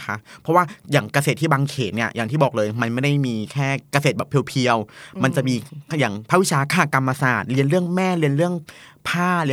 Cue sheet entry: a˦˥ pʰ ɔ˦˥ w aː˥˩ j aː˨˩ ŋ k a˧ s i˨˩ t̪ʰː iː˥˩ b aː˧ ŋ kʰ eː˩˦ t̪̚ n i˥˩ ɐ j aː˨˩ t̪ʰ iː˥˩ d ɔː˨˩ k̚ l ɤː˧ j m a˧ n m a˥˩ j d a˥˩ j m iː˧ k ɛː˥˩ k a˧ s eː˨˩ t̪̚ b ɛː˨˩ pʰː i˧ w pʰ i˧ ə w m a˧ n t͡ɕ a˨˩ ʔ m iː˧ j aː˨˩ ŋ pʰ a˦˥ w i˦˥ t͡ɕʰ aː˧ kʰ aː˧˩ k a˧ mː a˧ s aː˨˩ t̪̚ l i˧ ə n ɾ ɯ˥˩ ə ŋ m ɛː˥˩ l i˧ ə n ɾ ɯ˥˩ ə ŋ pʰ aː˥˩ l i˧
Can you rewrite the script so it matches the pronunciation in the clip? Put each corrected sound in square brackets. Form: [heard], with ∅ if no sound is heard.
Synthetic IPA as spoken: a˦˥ pʰ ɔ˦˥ w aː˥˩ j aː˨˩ ŋ k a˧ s [e˨˩] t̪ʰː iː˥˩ b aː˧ ŋ kʰ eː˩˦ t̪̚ n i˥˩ ɐ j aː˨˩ t̪ʰ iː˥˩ [b] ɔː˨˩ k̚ l ɤː˧ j m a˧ n m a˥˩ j d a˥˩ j m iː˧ [kʰ] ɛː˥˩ k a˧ s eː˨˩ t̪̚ b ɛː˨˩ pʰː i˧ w pʰ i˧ ə w m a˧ n t͡ɕ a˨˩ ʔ m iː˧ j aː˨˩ ŋ pʰ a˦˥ w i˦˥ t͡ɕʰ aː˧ kʰ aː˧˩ k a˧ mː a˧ s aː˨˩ t̪̚ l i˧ ə n ɾ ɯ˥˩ ə ŋ m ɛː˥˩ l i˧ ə n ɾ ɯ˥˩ ə ŋ pʰ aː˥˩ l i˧